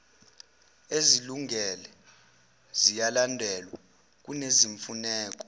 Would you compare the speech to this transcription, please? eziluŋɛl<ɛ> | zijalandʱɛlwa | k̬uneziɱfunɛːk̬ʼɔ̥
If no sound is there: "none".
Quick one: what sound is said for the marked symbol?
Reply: ɛ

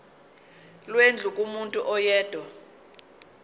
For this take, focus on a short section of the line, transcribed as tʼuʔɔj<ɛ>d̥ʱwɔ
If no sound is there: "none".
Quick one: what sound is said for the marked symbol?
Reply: ɛː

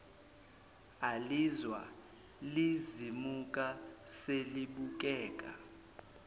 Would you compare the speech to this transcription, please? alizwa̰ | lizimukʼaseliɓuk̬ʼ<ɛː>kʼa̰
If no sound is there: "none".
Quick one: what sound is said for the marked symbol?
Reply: ɛː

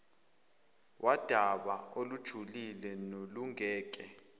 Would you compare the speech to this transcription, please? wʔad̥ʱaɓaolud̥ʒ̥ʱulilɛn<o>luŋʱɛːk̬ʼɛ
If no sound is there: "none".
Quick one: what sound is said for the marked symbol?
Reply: o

